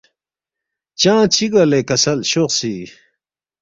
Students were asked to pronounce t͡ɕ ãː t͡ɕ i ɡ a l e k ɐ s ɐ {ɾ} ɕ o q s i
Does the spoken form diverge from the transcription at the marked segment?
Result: yes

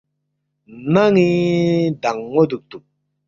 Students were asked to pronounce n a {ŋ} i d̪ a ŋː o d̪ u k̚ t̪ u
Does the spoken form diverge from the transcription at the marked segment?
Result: no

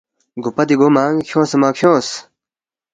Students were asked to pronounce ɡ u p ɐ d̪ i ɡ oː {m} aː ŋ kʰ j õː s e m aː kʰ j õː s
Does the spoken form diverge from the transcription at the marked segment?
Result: no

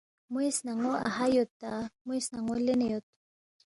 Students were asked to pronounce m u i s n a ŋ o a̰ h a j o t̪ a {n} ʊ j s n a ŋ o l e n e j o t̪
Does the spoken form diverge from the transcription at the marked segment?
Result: yes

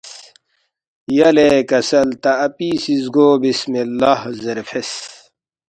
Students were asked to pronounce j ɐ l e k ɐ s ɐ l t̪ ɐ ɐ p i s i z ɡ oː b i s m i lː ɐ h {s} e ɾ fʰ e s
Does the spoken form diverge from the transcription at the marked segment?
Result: yes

